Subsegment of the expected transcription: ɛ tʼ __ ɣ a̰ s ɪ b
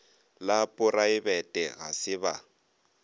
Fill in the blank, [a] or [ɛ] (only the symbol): ɛ